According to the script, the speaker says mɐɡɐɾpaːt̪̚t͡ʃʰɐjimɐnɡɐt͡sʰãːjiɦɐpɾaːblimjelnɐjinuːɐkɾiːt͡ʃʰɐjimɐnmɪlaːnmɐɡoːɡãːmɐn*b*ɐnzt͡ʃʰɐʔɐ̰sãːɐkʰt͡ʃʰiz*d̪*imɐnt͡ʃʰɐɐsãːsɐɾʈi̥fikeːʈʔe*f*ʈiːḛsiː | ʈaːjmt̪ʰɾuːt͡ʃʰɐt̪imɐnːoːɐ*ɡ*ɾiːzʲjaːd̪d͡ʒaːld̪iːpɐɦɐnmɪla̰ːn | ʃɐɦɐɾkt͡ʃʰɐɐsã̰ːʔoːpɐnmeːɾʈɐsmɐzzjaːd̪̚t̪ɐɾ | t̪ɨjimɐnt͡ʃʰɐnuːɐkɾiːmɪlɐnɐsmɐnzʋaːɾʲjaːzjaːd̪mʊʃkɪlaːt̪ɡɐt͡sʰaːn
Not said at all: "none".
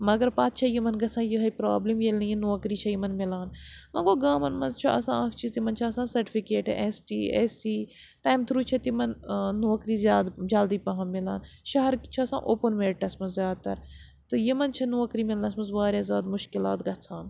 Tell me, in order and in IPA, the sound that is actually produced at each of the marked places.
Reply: m, t̪, s, k

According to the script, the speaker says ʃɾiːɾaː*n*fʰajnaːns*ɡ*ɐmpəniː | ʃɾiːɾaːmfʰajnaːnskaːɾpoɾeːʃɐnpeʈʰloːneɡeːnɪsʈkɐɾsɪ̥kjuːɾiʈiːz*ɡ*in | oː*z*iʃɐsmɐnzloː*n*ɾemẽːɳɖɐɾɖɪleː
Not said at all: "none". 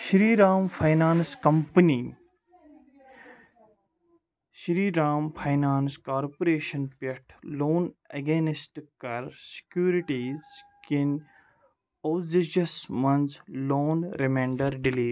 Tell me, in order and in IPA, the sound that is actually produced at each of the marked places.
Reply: m, k, k, z, n

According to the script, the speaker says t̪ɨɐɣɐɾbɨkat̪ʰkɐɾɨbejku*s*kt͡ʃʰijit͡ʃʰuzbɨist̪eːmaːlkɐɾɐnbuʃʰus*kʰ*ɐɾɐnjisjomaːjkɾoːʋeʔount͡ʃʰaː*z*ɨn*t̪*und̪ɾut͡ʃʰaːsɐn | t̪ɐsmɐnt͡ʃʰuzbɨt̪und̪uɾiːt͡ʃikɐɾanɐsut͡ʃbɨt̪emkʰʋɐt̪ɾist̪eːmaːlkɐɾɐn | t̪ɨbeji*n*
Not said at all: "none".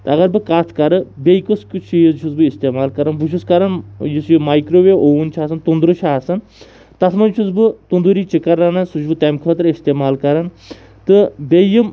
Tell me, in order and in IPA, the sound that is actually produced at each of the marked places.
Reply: s, k, s, t̪, m

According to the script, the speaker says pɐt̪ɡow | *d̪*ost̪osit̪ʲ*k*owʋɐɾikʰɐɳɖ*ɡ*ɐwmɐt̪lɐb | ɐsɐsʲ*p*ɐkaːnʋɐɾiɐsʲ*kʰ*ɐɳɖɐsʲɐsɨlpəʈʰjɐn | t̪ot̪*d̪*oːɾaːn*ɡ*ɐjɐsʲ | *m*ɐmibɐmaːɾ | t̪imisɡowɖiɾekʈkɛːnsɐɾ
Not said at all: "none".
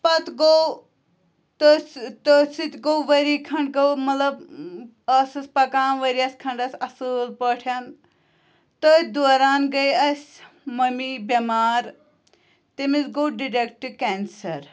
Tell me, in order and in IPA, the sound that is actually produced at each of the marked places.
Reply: t̪, ɡ, ɡ, p, kʰ, d̪, ɡ, m

